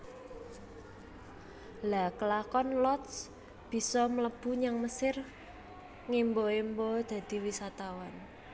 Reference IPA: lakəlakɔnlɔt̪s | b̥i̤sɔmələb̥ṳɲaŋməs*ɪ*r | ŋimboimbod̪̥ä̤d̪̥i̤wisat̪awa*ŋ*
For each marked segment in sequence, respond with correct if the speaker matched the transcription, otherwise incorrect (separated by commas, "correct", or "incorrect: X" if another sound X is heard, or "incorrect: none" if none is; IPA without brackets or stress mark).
correct, incorrect: n